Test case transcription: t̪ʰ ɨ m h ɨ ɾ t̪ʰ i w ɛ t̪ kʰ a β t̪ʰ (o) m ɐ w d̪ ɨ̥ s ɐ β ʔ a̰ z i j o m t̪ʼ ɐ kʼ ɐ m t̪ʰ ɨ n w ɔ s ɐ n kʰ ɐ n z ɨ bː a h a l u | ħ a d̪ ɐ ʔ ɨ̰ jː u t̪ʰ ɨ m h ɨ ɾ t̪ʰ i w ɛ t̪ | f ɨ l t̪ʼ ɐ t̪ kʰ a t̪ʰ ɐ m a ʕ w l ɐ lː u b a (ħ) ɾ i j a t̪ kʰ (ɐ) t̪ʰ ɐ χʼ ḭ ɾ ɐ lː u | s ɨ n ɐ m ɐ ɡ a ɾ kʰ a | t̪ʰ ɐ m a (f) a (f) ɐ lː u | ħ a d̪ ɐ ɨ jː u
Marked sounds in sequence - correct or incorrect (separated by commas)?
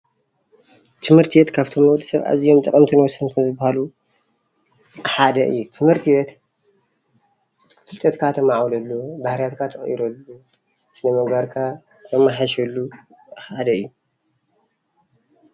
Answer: correct, incorrect, incorrect, incorrect, incorrect